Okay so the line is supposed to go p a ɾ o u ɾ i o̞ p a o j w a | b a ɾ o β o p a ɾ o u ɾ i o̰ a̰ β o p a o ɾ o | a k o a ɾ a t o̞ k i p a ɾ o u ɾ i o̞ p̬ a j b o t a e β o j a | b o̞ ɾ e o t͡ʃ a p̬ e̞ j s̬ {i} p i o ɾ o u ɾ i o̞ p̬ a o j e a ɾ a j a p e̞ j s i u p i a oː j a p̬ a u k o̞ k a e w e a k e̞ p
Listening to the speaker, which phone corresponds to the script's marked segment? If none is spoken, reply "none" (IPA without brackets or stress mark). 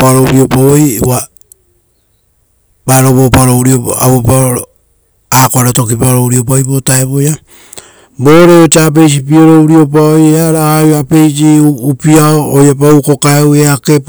i